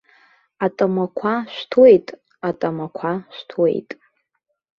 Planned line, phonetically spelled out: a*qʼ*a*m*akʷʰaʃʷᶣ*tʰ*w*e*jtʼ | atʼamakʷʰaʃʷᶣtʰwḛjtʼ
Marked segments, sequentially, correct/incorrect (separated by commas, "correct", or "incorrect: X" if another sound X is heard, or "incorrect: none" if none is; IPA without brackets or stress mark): incorrect: tʼ, correct, correct, correct